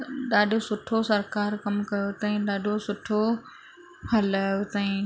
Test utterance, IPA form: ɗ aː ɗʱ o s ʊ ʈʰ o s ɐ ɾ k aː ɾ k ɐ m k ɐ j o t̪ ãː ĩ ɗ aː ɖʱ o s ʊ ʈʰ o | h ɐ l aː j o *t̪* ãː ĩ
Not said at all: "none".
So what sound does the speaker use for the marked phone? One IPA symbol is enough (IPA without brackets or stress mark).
t̪